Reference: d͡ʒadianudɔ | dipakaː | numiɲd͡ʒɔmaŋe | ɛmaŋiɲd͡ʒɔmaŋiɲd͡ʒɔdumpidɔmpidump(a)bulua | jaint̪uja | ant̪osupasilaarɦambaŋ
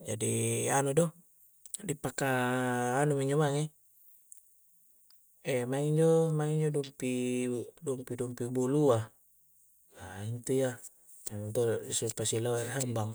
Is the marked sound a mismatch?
yes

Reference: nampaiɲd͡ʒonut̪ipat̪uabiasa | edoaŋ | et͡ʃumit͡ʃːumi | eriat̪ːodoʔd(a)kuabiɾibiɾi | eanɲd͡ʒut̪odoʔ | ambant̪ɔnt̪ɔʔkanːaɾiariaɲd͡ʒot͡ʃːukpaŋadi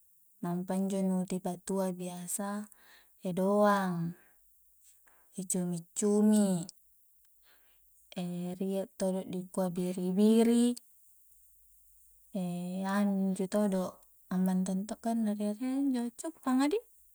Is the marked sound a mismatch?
yes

